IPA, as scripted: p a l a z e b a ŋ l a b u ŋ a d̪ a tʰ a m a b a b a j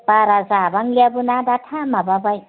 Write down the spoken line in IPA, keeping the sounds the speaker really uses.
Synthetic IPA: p a ɾ a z a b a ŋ l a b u n a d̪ a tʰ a m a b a b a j

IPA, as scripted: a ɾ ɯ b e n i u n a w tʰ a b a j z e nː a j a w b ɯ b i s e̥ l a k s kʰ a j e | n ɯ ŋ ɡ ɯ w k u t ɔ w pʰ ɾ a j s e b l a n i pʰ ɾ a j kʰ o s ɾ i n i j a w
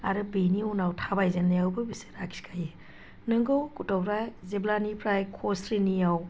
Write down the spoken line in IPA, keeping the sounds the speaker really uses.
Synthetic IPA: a ɾ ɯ b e n i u n a w tʰ a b a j z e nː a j a w b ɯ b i s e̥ ɾ a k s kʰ a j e | n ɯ ŋ ɡ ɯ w k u t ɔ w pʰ ɾ a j z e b l a n i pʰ ɾ a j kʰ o s ɾ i n i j a w

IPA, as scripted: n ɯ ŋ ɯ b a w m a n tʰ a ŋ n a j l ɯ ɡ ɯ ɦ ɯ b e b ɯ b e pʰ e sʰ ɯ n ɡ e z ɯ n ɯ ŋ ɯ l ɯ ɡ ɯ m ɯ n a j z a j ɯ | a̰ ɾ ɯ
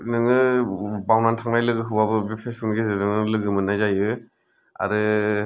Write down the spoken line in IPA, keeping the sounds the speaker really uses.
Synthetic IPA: n ɯ ŋ ɯ b a w n a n tʰ a ŋ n a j l ɯ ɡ ɯ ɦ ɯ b a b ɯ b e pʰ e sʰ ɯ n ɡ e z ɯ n ɯ ŋ ɯ l ɯ ɡ ɯ m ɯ n a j z a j ɯ | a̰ ɾ ɯ

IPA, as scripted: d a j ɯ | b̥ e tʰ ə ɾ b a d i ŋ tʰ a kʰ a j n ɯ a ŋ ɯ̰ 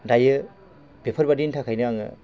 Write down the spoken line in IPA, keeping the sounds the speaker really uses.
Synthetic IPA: d a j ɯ | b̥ e pʰ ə ɾ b a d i n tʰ a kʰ a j n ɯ a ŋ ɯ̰

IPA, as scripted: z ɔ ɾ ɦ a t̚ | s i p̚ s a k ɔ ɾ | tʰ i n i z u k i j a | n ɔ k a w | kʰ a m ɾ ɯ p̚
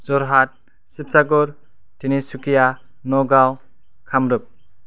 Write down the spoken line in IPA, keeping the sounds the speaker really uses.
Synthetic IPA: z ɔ ɾ ɦ a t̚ | s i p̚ s a ɡ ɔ ɾ | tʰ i n i s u k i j a | n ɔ ɡ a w | kʰ a m ɾ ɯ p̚

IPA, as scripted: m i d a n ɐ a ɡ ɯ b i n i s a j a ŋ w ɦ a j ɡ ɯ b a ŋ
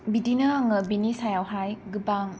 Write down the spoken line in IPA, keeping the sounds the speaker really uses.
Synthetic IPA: b i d i n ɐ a ŋ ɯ b i n i s a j a w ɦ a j ɡ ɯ b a ŋ

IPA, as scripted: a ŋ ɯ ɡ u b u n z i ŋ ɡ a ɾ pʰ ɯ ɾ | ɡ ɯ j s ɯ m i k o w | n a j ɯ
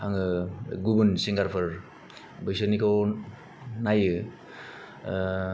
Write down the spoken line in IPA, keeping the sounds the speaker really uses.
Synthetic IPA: a ŋ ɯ ɡ u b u n s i ŋ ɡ a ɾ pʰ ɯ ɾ | b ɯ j s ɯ n i k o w | n a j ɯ

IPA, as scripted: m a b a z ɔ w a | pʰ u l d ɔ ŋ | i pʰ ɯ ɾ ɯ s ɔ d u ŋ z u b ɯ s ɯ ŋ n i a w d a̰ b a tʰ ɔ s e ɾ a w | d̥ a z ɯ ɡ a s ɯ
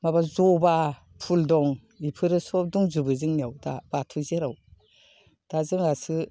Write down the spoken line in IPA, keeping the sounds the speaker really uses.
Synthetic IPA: m a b a z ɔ b a | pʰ u l d ɔ ŋ | i pʰ ɯ ɾ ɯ s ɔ d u ŋ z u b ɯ z ɯ ŋ n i a w d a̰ b a tʰ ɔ z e ɾ a w | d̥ a z ɯ ŋ a s ɯ

